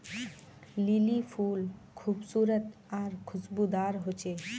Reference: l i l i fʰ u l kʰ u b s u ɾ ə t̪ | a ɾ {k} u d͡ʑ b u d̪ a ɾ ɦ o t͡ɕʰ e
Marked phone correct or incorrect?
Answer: incorrect